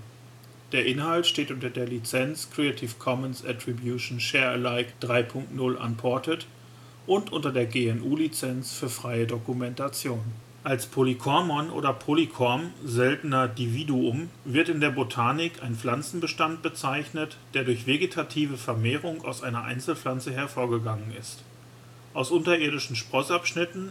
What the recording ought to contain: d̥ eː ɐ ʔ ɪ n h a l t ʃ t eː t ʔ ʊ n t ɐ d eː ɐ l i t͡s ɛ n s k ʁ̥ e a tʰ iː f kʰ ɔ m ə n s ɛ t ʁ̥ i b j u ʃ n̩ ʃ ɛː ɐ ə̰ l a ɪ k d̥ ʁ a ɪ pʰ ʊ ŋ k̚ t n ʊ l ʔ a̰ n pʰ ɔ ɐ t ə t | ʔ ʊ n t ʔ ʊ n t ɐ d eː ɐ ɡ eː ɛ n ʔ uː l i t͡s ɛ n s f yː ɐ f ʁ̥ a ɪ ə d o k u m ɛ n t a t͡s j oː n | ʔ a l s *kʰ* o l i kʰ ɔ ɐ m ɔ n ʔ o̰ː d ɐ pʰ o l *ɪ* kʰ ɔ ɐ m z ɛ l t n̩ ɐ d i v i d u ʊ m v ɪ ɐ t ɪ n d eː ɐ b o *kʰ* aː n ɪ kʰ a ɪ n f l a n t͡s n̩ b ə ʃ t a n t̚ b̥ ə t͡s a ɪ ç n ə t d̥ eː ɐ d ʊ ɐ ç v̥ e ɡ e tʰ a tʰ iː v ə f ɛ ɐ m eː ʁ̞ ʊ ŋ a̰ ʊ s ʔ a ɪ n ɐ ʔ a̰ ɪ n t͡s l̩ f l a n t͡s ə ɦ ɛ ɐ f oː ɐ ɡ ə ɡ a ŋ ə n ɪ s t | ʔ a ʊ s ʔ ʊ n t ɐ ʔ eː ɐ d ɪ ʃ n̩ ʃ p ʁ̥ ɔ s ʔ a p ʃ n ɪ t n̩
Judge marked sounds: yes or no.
no, no, no

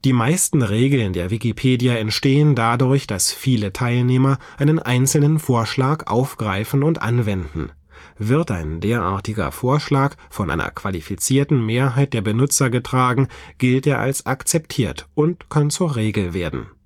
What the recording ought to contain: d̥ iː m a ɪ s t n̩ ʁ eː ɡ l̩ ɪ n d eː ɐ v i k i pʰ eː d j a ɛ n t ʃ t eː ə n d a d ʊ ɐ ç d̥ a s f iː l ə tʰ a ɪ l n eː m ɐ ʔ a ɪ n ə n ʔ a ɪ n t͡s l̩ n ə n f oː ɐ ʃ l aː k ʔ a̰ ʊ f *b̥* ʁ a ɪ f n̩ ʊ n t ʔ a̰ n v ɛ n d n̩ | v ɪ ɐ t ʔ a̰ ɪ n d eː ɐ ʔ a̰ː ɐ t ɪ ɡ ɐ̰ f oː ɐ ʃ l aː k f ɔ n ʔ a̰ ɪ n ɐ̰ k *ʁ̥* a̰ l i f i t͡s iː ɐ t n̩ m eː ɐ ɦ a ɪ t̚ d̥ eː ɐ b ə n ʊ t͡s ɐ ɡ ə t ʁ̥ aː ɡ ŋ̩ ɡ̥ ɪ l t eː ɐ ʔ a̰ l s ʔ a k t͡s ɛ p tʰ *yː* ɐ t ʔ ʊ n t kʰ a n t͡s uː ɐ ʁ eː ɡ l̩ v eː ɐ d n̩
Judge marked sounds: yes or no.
no, no, no

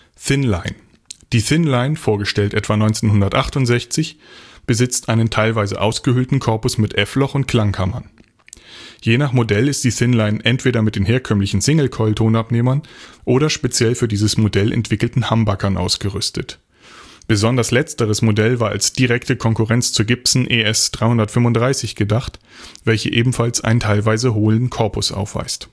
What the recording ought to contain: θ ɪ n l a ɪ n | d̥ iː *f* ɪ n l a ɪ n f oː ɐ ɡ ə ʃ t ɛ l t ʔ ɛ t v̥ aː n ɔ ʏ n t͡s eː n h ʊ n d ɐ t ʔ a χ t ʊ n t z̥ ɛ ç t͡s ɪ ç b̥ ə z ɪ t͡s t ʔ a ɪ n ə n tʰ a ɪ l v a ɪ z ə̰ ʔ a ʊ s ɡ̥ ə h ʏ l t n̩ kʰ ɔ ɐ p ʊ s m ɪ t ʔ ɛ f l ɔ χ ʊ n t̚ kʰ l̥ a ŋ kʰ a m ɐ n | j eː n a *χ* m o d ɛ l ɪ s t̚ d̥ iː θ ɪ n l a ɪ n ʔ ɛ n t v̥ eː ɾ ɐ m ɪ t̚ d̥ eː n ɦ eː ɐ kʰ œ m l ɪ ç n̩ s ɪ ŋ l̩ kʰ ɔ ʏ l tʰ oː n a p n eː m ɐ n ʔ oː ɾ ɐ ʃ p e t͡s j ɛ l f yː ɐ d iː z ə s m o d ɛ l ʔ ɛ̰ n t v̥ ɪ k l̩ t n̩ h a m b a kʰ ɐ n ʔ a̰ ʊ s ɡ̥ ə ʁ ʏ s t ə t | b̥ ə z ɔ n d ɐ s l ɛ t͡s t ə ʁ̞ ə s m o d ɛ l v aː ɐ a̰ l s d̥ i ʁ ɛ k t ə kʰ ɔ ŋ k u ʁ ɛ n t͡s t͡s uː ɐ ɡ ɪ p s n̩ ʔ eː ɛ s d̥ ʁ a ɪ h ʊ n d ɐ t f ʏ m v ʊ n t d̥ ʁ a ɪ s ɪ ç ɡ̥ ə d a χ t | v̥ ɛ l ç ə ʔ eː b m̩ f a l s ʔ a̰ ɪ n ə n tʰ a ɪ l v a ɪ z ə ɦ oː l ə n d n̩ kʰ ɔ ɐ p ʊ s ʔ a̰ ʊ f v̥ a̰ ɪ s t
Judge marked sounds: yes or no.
no, yes

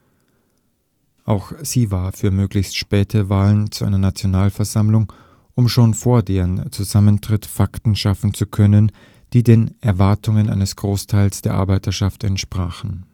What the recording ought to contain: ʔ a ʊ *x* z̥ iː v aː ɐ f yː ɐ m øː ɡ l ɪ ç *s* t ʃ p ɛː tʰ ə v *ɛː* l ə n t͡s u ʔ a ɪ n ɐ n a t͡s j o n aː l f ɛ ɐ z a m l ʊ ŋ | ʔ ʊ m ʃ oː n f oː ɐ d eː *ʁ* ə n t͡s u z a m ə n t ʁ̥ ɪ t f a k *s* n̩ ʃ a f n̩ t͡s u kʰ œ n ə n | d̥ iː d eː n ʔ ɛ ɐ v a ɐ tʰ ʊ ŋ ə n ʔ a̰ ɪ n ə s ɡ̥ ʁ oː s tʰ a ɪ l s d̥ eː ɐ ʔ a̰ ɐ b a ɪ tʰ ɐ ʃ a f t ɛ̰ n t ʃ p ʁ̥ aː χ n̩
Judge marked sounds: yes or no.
yes, yes, no, yes, no

